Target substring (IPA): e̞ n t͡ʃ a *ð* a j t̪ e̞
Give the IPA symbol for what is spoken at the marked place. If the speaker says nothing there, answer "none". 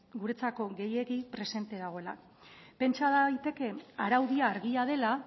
ð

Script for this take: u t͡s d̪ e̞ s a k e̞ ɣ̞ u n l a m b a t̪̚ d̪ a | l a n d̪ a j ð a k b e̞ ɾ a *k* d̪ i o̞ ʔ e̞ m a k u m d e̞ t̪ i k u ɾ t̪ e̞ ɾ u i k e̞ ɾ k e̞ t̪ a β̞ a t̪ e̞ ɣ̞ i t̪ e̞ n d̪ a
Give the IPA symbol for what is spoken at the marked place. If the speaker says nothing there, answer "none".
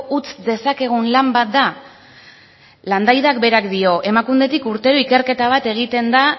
k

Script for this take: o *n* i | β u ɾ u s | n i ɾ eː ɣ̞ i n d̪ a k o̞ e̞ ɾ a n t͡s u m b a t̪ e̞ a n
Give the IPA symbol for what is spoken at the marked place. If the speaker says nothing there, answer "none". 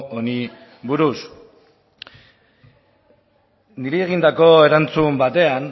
n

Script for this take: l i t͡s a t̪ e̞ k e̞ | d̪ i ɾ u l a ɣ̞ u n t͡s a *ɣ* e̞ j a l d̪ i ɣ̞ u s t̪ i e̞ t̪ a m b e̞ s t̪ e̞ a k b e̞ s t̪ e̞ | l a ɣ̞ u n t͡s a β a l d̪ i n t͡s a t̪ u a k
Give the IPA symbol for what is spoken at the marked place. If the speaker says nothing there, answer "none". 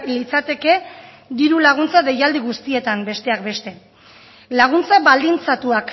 ð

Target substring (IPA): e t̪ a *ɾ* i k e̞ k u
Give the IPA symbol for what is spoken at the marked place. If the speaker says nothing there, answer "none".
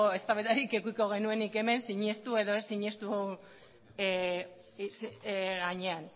ɾ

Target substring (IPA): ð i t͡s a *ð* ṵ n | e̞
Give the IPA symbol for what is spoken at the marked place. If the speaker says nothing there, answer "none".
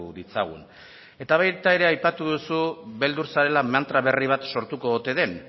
ɣ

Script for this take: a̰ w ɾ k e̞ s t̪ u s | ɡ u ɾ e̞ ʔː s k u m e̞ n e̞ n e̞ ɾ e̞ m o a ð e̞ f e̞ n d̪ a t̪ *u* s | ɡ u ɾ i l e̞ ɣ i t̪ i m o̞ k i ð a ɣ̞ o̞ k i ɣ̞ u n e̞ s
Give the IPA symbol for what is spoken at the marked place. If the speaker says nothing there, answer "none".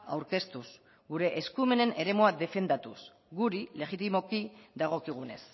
u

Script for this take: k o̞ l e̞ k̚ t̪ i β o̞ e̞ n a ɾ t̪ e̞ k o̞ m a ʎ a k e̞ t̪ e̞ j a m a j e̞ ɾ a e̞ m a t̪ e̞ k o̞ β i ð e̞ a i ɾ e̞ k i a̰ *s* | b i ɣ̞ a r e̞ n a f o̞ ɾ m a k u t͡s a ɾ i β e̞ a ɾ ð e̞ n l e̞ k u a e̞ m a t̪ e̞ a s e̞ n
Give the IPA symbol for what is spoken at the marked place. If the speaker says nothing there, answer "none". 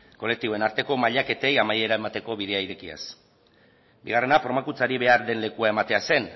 s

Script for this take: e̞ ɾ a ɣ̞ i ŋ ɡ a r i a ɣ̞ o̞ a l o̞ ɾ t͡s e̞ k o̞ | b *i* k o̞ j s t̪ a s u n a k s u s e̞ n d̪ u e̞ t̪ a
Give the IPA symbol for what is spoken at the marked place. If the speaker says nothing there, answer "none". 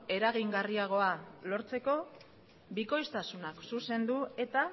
i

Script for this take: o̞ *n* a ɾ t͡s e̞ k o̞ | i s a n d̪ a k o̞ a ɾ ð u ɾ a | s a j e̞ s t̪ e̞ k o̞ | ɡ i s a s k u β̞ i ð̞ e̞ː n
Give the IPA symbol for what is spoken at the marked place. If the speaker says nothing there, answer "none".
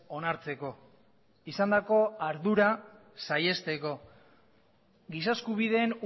n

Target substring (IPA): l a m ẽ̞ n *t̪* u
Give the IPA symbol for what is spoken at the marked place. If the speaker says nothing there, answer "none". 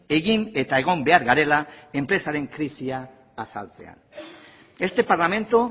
t̪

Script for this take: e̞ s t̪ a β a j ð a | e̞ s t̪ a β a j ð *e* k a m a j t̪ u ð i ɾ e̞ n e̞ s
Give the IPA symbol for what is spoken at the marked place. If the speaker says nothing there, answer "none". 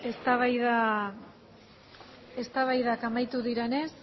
a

